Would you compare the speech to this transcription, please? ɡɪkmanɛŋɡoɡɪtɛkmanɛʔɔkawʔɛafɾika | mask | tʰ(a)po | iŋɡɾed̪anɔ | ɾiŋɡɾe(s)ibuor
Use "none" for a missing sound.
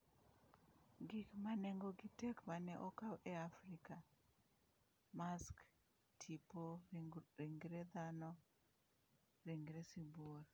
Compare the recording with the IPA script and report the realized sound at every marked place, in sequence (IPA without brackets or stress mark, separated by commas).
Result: i, s